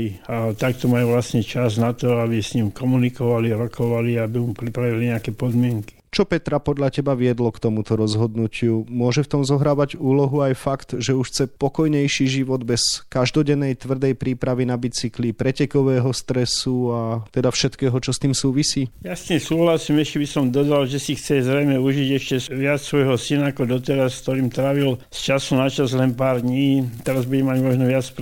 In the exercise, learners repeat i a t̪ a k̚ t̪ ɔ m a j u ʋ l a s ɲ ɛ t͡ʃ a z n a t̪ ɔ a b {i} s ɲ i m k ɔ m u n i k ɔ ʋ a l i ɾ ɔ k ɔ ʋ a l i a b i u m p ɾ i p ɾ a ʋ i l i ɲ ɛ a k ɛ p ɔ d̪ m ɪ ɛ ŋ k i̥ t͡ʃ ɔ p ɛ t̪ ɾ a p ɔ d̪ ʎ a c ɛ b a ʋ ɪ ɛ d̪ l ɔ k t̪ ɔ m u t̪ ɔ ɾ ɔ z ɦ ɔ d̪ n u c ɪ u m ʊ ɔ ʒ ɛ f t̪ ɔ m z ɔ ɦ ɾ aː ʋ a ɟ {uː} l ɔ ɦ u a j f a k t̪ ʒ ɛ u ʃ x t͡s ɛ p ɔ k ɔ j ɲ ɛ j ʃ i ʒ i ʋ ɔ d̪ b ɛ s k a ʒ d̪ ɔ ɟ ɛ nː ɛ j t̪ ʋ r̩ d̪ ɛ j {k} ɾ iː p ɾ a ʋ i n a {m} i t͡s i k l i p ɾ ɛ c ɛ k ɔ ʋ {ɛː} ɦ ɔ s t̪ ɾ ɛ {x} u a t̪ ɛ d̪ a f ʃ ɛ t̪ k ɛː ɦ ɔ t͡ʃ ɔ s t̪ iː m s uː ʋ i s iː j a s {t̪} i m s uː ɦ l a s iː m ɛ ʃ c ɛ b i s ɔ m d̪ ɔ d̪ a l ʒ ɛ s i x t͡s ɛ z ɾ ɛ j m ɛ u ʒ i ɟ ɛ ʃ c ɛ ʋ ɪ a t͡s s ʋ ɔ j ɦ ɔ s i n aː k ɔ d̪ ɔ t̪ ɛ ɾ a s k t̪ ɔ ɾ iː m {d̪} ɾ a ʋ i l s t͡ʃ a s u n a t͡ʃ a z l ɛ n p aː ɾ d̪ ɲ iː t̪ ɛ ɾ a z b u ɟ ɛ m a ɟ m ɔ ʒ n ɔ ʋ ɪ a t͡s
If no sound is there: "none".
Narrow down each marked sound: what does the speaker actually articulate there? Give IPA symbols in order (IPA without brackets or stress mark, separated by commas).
i, uː, p, b, ɛː, s, t̪, t̪